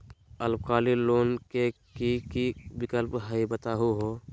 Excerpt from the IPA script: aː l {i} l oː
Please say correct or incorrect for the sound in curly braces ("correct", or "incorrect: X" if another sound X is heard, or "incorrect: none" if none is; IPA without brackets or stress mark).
correct